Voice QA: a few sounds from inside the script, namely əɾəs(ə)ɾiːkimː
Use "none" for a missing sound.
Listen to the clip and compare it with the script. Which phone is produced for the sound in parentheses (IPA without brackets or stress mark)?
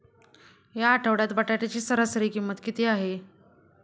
ə